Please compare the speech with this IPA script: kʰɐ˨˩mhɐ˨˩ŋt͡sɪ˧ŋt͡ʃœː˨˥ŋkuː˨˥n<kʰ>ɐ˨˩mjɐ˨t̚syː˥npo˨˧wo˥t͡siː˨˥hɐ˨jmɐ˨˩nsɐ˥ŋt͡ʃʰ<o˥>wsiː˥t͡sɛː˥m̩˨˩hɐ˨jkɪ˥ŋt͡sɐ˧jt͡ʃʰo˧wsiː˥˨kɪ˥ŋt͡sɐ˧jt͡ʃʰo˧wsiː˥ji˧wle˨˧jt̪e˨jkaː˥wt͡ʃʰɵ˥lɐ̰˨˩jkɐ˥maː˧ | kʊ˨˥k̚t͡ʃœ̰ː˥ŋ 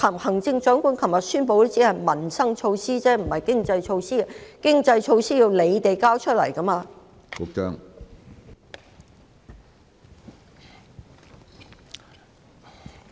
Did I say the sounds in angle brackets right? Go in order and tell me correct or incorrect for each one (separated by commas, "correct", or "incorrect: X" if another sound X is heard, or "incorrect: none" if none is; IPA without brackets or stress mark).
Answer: correct, incorrect: o˧